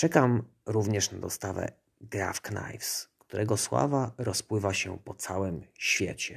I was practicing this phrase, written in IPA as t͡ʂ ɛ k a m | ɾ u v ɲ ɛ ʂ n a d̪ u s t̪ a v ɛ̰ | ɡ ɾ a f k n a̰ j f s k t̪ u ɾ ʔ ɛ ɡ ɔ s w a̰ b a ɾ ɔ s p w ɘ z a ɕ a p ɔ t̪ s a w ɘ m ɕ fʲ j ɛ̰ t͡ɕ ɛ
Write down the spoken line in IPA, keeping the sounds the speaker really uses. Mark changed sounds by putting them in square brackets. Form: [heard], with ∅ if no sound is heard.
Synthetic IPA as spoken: t͡ʂ ɛ k a m | ɾ u v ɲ ɛ ʂ n a d̪ [ɔ] s t̪ a v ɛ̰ | ɡ ɾ a f k n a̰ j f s k t̪ u ɾ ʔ ɛ ɡ ɔ s w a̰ [v] a ɾ ɔ s p w ɘ [v] a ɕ [ɛ] p ɔ t̪ s a w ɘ m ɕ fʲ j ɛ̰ t͡ɕ ɛ